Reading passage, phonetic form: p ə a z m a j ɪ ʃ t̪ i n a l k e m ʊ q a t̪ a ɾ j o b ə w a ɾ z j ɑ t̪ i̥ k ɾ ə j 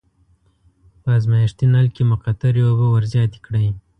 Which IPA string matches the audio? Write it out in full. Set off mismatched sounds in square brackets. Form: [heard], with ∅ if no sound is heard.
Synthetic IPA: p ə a z m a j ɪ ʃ t̪ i n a l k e m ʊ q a t̪ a ɾ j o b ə w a ɾ z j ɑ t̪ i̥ k [ɽ] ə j